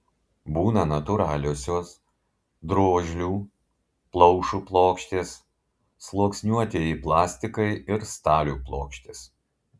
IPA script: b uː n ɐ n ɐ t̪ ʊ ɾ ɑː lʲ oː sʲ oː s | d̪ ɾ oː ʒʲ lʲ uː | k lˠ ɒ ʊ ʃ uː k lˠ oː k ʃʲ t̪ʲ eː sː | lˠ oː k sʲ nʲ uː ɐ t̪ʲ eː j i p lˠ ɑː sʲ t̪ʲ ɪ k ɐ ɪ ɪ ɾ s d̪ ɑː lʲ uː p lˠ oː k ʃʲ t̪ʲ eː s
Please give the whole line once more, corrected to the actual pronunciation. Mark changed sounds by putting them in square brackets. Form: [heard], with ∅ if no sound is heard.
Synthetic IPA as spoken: b uː n ɐ n ɐ t̪ ʊ ɾ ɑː lʲ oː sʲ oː s | d̪ ɾ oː ʒʲ lʲ uː | [p] lˠ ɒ ʊ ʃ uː [p] lˠ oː k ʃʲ t̪ʲ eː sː | lˠ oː k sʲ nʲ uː ɐ t̪ʲ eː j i p lˠ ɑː sʲ t̪ʲ ɪ k ɐ ɪ ɪ ɾ s [t̪] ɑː lʲ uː p lˠ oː k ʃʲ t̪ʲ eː s